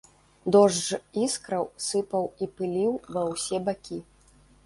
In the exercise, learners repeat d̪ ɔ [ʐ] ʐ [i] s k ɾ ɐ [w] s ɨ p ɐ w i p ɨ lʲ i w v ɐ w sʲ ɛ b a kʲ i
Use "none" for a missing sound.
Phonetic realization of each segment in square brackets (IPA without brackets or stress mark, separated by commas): ʐ, i, w